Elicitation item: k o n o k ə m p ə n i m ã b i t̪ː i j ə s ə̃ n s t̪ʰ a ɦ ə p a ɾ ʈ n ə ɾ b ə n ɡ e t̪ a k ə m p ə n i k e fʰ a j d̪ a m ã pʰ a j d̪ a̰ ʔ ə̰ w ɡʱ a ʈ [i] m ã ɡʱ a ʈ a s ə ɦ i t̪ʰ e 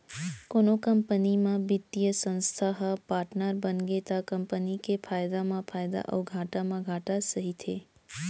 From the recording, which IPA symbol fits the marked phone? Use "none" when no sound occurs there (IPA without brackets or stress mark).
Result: a